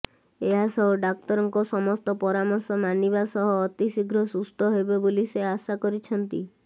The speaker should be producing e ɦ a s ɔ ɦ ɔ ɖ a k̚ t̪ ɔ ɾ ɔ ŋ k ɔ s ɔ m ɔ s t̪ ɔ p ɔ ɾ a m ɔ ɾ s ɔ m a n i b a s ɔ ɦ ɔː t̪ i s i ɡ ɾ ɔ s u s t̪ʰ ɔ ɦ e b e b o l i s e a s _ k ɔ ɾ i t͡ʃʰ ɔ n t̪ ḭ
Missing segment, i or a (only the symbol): a